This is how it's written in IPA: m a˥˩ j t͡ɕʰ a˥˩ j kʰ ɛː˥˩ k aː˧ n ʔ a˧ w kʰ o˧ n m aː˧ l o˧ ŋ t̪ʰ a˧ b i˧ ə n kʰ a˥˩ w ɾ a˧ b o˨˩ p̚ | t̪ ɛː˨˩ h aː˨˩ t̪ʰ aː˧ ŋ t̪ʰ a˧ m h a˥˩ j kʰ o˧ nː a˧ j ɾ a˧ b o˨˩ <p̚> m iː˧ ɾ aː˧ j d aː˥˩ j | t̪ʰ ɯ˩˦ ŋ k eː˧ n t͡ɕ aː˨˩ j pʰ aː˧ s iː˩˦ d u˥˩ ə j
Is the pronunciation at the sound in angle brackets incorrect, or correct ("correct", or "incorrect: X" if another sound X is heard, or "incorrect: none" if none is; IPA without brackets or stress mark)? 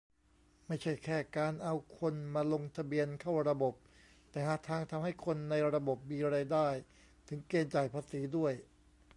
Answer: correct